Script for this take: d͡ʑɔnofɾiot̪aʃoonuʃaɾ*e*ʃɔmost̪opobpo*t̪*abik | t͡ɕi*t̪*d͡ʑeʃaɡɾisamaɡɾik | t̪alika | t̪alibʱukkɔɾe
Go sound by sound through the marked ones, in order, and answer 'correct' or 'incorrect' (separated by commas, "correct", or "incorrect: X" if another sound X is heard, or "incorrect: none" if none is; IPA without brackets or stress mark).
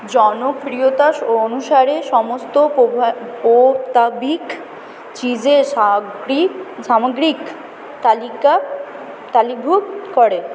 correct, correct, incorrect: none